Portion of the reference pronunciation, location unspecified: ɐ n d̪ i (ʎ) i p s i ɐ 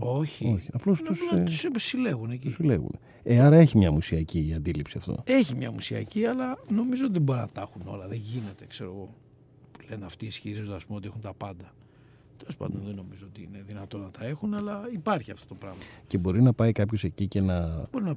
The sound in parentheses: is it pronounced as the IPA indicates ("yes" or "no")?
no